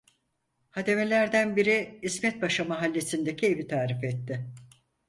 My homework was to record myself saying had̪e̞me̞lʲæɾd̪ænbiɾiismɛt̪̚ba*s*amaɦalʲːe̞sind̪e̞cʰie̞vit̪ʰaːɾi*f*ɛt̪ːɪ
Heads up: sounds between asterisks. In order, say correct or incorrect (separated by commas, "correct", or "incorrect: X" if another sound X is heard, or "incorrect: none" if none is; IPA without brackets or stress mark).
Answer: incorrect: ʃ, correct